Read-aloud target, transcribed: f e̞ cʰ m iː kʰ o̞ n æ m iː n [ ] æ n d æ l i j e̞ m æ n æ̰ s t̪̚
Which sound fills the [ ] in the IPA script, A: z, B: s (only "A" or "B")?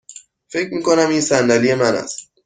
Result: B